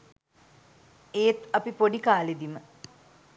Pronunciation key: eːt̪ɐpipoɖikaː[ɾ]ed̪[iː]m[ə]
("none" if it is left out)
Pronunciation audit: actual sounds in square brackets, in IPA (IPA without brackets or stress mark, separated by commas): l, i, ə